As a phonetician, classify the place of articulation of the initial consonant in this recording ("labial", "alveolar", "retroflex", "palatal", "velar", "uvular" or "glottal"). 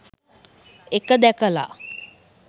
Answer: velar